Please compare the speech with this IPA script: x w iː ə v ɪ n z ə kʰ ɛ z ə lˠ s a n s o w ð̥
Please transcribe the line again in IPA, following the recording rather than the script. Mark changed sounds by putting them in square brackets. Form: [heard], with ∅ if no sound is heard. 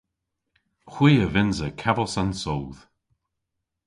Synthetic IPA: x w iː ə v ɪ n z ə kʰ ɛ [v] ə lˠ s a n s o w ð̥